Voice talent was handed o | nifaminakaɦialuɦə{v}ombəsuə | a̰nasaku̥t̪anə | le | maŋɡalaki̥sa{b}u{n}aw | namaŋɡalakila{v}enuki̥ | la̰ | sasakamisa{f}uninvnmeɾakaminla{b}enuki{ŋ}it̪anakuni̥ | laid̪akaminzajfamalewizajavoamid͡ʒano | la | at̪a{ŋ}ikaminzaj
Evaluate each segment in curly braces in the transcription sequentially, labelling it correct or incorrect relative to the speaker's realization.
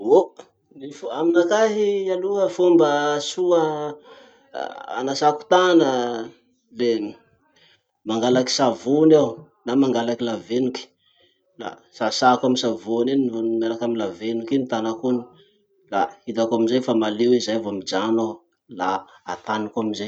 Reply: incorrect, incorrect, correct, correct, incorrect, incorrect, incorrect, incorrect

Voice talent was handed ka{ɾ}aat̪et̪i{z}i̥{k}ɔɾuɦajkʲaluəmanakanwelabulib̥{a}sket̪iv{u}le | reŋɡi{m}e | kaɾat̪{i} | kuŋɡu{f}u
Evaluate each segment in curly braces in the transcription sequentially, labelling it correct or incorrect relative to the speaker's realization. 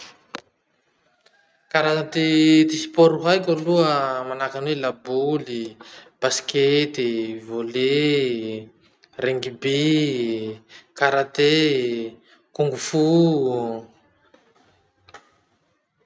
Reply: correct, incorrect, incorrect, correct, incorrect, incorrect, incorrect, correct

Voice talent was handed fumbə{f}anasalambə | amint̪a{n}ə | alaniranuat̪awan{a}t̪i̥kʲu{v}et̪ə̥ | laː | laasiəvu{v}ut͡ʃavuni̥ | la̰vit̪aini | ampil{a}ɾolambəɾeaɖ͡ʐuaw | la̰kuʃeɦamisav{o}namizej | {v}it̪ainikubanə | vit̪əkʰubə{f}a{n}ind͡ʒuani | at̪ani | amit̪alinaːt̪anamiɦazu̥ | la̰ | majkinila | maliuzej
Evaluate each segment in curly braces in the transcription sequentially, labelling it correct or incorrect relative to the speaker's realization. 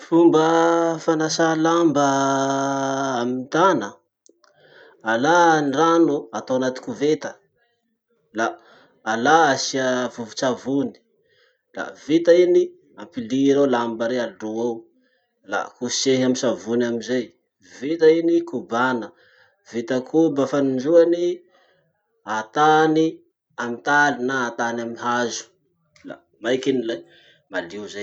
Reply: correct, correct, correct, correct, correct, incorrect, incorrect, correct, correct, correct

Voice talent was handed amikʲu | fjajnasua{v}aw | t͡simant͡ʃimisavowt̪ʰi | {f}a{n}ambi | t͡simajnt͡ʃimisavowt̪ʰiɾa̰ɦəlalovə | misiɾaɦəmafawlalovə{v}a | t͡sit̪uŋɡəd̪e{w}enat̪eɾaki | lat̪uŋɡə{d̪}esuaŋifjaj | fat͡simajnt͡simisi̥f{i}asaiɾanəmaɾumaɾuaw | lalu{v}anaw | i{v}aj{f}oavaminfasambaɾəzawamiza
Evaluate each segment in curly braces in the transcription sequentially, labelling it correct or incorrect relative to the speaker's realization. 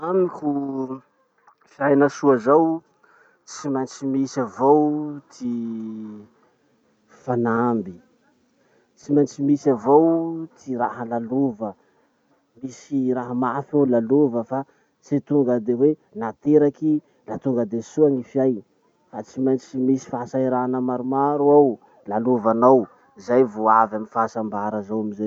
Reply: incorrect, correct, correct, incorrect, correct, correct, incorrect, correct, incorrect, incorrect

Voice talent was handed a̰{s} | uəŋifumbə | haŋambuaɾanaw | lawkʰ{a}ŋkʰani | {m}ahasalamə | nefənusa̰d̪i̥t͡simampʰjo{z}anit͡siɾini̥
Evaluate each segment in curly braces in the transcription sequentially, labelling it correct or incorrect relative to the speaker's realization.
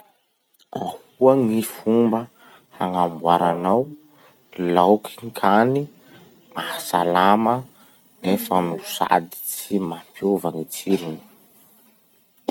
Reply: incorrect, incorrect, correct, incorrect

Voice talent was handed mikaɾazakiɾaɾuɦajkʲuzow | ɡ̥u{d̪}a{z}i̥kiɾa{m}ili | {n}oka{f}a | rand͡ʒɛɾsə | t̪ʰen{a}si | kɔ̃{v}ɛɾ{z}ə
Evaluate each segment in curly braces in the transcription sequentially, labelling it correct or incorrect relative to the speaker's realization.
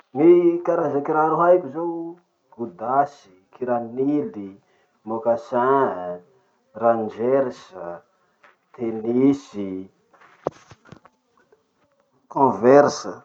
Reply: correct, incorrect, incorrect, incorrect, incorrect, incorrect, correct, incorrect

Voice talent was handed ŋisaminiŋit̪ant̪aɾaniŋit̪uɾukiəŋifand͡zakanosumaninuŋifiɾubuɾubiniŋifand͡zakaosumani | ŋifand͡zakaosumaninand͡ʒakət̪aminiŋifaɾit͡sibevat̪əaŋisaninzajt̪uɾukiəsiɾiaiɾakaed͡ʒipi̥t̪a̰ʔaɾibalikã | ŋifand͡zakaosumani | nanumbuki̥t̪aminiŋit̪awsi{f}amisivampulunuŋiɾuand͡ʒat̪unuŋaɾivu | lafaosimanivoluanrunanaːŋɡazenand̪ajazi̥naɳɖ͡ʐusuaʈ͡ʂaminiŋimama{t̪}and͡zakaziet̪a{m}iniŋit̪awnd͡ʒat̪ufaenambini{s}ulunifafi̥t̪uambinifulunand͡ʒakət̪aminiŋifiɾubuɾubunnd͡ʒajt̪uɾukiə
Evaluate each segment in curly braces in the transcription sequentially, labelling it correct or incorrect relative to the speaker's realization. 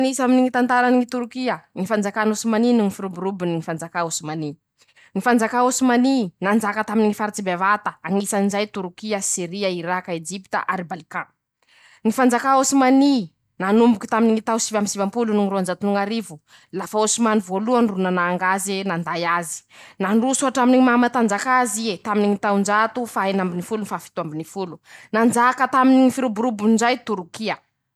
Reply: incorrect, correct, correct, incorrect

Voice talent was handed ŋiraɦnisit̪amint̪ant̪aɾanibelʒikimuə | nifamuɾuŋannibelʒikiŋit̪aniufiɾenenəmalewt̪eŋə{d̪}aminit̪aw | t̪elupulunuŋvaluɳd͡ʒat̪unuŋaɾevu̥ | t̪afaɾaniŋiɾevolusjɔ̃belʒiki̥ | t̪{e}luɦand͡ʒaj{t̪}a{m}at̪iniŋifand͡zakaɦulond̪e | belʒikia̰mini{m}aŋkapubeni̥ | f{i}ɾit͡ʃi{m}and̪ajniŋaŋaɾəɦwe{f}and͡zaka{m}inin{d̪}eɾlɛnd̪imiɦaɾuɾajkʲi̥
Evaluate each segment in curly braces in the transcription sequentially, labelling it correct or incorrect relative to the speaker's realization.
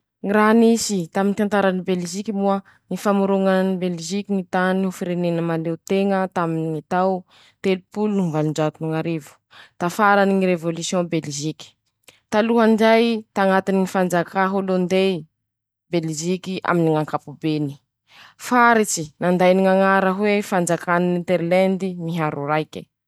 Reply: incorrect, incorrect, correct, incorrect, incorrect, incorrect, incorrect, correct, incorrect, incorrect

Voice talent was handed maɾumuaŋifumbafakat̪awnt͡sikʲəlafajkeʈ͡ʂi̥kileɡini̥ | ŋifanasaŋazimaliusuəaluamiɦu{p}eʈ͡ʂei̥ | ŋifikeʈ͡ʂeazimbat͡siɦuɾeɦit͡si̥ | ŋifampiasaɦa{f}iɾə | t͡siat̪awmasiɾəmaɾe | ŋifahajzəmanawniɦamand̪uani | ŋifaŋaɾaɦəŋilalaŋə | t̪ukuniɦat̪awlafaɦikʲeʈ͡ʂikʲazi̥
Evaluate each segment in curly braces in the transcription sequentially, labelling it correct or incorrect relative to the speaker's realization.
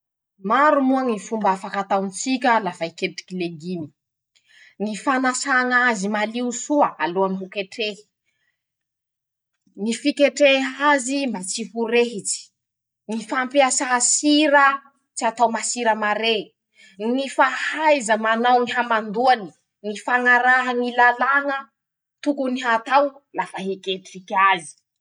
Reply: incorrect, incorrect

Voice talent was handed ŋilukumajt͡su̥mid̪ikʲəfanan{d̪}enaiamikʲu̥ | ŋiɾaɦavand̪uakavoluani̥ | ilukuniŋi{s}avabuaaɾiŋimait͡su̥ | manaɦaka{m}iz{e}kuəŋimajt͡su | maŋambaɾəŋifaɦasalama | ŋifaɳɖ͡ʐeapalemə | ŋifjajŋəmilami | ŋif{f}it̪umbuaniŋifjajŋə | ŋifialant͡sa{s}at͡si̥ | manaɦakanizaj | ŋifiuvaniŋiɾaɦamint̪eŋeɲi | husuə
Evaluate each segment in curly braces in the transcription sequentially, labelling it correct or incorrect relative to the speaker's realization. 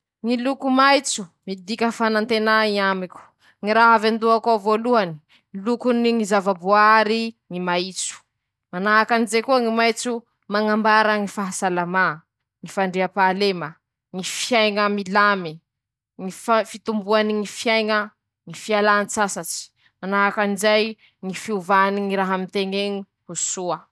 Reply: incorrect, incorrect, incorrect, correct, correct, correct

